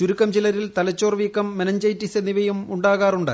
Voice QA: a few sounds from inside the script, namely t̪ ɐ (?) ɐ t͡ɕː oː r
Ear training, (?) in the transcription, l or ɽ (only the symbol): l